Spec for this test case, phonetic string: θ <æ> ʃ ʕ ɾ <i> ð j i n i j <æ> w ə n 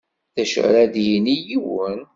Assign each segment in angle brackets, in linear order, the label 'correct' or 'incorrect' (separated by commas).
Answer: correct, incorrect, incorrect